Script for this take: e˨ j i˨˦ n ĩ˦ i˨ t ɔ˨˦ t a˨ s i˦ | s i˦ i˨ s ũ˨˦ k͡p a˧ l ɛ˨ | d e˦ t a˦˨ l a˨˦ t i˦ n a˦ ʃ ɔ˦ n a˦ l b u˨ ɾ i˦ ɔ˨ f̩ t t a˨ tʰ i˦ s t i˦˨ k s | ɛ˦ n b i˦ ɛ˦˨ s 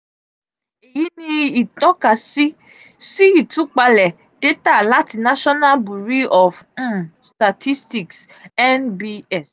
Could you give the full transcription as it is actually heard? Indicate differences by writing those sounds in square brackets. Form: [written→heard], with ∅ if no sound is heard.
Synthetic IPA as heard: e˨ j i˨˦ n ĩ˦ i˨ t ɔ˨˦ [t→k] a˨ s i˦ | s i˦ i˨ [s→t] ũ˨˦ k͡p a˧ l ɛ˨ | d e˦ t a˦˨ l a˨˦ t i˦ n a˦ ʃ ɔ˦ n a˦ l b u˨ ɾ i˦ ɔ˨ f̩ [t→s] t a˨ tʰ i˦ s t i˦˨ k s | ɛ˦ n b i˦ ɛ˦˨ s